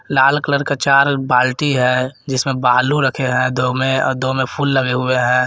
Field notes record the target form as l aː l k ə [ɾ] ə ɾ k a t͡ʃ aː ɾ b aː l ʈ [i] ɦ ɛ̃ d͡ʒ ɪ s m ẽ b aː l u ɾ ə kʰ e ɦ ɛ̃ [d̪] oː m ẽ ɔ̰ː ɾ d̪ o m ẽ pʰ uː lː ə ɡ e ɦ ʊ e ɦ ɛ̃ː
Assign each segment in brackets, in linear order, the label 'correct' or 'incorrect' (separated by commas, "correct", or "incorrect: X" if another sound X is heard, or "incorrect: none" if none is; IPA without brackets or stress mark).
incorrect: l, correct, correct